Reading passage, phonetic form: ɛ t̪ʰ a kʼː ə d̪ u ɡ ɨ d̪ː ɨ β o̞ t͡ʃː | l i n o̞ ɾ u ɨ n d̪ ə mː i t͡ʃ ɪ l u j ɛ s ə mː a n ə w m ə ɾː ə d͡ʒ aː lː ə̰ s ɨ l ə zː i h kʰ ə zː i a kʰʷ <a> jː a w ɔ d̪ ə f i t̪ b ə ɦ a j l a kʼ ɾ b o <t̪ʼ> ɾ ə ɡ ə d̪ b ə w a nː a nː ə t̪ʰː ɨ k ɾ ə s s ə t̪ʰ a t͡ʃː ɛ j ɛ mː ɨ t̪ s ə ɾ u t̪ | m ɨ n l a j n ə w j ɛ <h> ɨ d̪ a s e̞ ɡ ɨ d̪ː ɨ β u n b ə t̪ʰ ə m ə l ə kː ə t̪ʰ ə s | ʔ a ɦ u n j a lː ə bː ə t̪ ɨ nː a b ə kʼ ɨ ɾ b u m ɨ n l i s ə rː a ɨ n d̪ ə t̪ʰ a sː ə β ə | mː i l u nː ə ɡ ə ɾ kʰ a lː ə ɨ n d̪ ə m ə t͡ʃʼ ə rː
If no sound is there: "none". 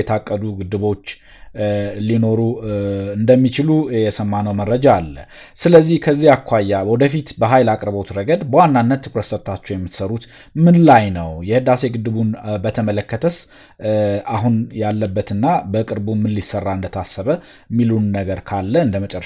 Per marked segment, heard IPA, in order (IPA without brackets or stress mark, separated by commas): a, t̪, h